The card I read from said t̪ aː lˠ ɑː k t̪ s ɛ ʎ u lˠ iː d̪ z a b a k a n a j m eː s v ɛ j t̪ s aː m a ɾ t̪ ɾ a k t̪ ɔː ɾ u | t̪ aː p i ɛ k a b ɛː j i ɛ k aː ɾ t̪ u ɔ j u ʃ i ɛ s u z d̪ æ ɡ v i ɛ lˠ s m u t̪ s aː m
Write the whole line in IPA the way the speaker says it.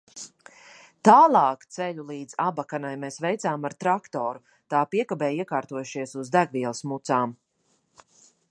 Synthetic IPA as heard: t̪ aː lˠ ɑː k t̪ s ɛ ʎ u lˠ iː d̪ z a b a k a n a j m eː s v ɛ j t̪ s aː m a ɾ t̪ ɾ a k t̪ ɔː ɾ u | t̪ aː p i ɛ k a b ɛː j i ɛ k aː ɾ t̪ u ɔ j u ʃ i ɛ s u z d̪ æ ɡ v i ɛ lˠ s m u t̪ s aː m